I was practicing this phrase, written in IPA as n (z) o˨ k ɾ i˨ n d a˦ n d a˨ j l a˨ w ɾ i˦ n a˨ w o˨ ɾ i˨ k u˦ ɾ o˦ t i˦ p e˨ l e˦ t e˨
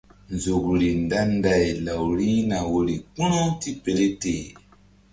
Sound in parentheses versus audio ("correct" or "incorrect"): correct